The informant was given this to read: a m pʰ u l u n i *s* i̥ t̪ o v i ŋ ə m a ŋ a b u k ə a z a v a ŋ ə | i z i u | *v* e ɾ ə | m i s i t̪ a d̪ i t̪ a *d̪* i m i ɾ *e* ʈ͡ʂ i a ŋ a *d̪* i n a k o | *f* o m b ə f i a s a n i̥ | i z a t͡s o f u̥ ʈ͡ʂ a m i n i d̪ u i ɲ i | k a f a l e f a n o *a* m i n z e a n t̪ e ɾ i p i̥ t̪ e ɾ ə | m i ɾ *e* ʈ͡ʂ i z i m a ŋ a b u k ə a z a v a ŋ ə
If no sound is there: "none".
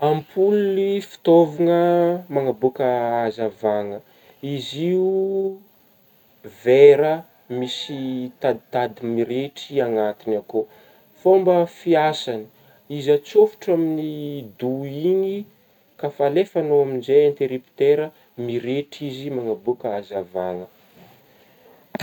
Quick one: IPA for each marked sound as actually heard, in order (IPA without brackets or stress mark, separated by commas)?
f, v, d̪, e, t̪, f, a, e